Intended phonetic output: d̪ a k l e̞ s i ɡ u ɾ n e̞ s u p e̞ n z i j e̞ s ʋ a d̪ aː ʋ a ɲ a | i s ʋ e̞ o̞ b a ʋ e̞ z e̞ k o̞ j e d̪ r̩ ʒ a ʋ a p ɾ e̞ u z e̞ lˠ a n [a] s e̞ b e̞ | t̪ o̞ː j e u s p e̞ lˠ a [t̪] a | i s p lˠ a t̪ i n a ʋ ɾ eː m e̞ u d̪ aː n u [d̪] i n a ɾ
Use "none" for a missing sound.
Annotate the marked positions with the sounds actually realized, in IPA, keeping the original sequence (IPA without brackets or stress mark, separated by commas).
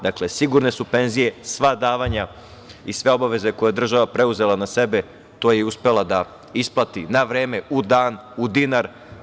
a, d̪, d̪